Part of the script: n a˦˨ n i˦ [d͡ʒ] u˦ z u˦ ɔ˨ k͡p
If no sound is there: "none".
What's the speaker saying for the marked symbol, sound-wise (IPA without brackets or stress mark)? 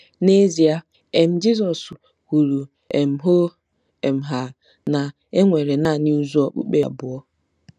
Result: none